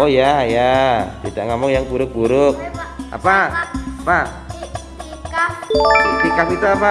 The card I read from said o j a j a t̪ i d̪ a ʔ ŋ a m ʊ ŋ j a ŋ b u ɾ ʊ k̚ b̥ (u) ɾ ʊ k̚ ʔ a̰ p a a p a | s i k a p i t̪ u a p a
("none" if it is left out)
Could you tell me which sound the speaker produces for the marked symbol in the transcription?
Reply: u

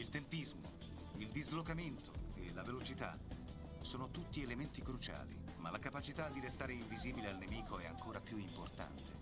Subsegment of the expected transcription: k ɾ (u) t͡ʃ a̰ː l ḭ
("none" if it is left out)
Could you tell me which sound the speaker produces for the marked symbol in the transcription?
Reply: u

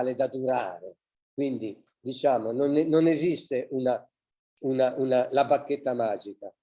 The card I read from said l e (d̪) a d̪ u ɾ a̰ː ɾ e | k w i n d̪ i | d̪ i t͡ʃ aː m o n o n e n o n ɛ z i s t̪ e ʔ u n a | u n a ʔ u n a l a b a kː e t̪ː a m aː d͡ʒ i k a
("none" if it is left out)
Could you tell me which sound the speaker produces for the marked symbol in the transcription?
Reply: d̪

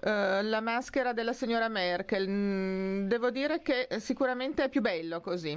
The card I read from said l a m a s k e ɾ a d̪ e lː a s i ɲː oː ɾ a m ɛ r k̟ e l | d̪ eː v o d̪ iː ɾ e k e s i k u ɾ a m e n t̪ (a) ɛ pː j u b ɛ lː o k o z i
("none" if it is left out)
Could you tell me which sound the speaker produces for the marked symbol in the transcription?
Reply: e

